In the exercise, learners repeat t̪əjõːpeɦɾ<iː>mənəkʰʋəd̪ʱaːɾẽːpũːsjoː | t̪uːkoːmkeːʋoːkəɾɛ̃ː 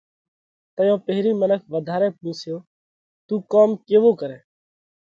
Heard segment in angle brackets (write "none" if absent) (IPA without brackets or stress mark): iː